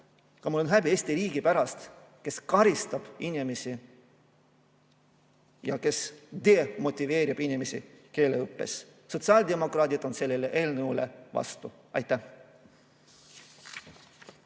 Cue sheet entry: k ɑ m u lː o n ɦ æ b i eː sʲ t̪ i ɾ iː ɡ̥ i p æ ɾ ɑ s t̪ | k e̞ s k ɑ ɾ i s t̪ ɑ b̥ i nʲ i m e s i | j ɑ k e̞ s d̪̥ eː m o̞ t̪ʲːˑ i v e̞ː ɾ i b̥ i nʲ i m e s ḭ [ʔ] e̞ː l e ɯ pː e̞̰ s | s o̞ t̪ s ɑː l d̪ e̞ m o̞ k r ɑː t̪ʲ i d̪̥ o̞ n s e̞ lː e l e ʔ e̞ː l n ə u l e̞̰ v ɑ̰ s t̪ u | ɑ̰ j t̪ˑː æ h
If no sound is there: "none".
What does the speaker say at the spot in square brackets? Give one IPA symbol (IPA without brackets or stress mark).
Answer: k